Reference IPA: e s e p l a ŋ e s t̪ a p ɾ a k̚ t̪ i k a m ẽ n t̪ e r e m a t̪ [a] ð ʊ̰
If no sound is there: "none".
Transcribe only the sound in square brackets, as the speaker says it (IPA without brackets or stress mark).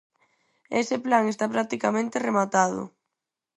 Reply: a